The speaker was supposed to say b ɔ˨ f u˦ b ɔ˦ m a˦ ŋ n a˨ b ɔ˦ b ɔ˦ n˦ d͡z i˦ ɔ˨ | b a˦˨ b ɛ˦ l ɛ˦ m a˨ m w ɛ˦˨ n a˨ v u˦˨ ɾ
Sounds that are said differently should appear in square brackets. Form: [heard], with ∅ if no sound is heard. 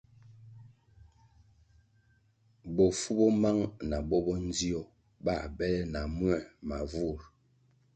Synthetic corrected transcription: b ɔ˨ f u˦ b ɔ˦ m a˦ ŋ n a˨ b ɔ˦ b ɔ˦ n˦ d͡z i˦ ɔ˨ | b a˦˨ b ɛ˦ l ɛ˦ [n] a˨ m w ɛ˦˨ [m] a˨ v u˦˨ ɾ

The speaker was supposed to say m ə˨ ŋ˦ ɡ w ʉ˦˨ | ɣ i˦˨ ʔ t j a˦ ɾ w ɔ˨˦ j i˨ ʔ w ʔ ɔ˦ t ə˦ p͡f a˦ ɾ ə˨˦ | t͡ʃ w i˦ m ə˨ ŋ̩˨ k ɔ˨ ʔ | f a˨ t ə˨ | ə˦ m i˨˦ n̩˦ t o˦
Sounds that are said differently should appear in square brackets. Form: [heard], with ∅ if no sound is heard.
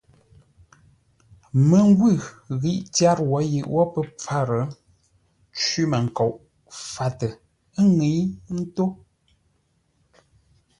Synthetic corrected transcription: m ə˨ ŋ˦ ɡ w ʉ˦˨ | ɣ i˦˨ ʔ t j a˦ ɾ w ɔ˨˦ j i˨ ʔ w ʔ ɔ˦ [p] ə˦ p͡f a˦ ɾ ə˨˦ | t͡ʃ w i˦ m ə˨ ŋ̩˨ k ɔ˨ ʔ | f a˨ t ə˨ | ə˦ [ŋ] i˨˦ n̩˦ t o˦

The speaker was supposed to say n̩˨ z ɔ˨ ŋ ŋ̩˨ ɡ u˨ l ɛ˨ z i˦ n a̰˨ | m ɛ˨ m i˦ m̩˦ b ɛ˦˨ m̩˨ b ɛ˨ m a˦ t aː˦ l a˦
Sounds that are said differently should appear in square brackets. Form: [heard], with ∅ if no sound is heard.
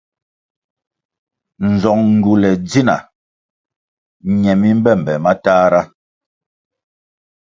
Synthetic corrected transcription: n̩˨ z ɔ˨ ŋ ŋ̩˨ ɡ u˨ l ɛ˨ [d͡z] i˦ n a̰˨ | [ɲ] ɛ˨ m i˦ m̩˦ b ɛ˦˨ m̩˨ b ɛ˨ m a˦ t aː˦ [ɾ] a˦

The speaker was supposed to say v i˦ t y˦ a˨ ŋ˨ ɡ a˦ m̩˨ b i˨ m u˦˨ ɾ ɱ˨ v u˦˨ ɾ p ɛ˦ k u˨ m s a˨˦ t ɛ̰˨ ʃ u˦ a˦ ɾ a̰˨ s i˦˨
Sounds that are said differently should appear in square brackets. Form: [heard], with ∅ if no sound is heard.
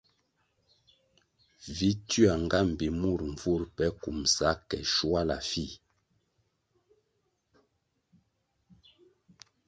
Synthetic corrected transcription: v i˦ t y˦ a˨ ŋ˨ ɡ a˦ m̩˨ b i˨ m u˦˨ ɾ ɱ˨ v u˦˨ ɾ p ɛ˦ k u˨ m s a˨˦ [k] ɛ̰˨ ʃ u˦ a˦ [l] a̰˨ [f] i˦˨

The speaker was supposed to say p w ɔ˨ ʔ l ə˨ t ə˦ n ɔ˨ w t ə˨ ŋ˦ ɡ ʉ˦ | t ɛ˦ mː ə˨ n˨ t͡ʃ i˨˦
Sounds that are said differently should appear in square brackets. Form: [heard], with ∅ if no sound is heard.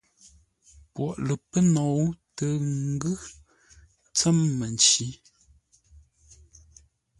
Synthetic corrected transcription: p w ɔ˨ ʔ l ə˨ [p] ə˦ n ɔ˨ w t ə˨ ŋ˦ ɡ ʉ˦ | [t͡s] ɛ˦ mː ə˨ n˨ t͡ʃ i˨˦

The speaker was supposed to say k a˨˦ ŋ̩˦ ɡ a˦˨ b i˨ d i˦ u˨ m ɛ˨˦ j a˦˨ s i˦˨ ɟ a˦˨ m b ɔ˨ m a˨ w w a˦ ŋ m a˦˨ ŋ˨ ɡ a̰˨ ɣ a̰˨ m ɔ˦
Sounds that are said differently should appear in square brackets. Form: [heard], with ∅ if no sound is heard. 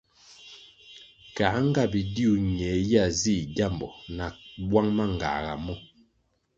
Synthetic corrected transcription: k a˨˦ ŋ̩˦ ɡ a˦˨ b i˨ d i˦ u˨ [ɲ] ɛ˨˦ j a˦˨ [z] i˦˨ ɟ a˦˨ m b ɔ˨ [n] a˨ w w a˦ ŋ m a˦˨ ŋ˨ ɡ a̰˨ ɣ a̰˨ m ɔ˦

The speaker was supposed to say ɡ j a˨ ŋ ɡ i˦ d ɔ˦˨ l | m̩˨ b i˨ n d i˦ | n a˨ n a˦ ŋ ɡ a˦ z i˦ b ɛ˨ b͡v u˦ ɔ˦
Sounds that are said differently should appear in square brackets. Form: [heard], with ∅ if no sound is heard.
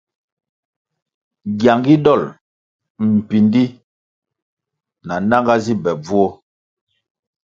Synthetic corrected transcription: ɡ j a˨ ŋ ɡ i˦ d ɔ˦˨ l | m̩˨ [p] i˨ n d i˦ | n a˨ n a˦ ŋ ɡ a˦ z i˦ b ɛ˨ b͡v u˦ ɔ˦

